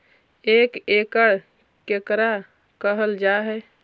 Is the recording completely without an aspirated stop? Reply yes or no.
yes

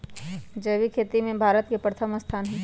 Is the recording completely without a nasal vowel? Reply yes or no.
no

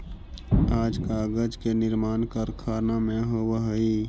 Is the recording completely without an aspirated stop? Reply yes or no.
no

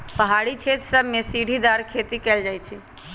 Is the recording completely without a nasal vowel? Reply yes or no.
yes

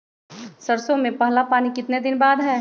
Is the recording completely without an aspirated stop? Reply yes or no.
yes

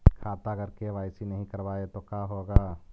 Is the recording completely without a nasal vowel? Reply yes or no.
no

